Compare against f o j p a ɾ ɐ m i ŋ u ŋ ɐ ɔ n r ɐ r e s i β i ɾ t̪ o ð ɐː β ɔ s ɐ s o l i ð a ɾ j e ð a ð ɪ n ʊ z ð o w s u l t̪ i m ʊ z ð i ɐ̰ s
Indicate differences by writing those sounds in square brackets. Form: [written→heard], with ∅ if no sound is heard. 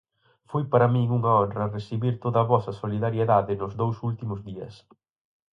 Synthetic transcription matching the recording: f o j p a ɾ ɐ m i ŋ u ŋ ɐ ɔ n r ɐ r e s i β i ɾ t̪ o ð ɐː β ɔ s ɐ s o l i ð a ɾ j e ð a ð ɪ n ʊ z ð o w s u l t̪ i m ʊ z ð i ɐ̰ s